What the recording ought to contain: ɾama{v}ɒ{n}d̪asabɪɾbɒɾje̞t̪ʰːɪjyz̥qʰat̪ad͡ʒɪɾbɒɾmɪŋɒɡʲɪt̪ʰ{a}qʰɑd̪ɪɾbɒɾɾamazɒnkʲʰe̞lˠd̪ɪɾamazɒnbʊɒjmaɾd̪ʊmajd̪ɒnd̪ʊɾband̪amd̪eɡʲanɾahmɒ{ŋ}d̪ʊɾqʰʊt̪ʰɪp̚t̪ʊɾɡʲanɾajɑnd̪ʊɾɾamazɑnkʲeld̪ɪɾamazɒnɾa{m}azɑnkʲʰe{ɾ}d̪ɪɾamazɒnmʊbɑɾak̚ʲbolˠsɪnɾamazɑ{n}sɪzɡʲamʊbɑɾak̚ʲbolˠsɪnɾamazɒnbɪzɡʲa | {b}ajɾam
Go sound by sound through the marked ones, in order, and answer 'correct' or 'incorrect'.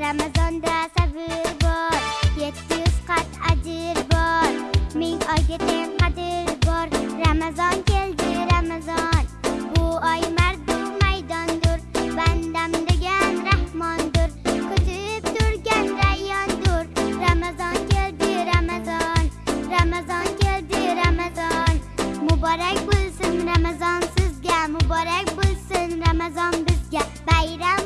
incorrect: z, correct, incorrect: e, incorrect: n, correct, incorrect: l, correct, correct

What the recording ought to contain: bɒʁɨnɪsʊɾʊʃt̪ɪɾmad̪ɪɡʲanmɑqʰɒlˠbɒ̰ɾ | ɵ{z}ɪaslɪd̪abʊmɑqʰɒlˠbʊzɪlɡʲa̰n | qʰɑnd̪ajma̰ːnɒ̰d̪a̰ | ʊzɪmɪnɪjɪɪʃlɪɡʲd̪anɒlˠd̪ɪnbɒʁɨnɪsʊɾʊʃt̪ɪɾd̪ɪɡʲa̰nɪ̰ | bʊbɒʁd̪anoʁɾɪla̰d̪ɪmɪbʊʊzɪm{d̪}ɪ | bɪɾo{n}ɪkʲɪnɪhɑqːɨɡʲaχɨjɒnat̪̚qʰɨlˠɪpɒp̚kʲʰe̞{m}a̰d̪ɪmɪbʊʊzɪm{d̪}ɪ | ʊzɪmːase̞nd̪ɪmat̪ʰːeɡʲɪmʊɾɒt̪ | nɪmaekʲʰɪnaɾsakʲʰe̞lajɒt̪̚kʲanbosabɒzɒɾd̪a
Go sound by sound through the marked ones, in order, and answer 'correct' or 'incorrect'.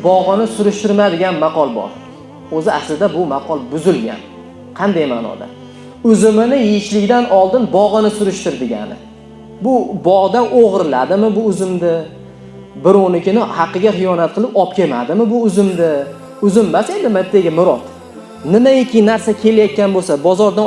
correct, correct, correct, correct, correct

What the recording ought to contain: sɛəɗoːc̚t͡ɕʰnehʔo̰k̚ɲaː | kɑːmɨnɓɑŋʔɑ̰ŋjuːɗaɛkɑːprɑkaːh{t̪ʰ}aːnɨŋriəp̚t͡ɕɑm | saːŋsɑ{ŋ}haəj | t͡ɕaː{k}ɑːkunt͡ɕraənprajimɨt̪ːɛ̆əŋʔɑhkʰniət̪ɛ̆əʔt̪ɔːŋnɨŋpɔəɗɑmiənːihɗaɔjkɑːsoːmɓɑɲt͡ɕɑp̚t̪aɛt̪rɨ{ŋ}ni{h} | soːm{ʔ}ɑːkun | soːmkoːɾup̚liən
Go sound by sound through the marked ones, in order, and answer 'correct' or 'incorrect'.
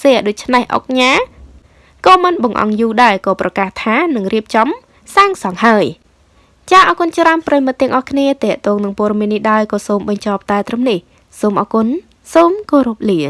correct, correct, incorrect: ʔ, incorrect: m, correct, correct

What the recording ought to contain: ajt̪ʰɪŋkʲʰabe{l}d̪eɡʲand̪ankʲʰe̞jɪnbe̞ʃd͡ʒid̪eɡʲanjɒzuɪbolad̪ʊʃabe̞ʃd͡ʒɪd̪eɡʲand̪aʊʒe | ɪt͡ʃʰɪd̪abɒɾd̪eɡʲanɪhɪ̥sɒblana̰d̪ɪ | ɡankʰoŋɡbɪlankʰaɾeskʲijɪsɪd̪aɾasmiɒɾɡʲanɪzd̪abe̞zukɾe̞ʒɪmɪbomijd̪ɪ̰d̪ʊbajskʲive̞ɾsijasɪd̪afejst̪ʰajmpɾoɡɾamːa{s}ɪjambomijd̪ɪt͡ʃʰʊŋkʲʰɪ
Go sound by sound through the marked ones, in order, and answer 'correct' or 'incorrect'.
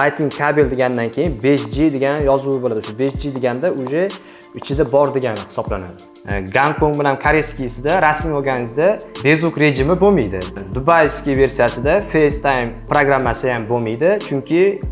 correct, correct

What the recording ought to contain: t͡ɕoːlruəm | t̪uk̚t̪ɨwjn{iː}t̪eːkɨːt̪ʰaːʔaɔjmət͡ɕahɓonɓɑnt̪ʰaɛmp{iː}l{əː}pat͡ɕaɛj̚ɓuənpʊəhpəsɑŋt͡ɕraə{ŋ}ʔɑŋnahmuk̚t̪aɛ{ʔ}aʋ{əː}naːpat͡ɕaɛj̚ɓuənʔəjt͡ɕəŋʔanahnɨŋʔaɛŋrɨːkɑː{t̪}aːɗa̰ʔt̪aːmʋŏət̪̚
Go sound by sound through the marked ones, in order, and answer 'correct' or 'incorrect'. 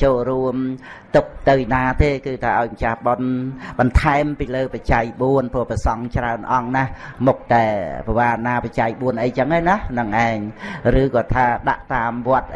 incorrect: aː, correct, correct, incorrect: n, incorrect: p, incorrect: aː, incorrect: t̪ʰ

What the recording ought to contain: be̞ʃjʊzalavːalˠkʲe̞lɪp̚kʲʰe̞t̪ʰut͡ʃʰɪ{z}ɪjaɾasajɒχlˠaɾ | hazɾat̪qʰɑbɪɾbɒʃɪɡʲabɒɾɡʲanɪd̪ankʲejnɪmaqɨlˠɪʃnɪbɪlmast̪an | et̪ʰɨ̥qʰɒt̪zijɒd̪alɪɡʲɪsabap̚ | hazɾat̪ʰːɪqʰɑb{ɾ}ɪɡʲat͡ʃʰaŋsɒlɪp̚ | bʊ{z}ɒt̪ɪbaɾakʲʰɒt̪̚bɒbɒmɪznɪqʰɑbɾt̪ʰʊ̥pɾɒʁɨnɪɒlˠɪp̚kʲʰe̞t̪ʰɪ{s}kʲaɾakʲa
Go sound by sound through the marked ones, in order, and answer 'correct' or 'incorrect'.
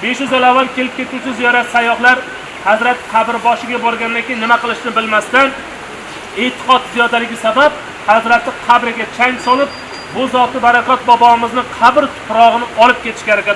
correct, correct, correct, incorrect: ʃ

